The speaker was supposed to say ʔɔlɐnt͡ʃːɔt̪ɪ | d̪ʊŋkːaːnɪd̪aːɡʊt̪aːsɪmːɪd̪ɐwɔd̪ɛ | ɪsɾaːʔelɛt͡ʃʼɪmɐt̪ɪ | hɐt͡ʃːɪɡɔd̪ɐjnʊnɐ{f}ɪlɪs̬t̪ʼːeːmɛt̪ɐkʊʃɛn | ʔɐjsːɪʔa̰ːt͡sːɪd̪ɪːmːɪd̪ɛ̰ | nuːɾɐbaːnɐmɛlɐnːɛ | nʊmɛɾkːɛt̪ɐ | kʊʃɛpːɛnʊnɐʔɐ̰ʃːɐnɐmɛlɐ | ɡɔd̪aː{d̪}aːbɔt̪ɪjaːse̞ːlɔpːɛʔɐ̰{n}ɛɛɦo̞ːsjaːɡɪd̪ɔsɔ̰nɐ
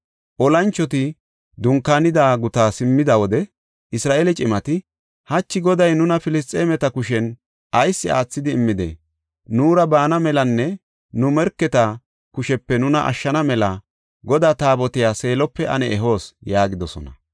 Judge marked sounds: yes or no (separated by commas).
yes, no, yes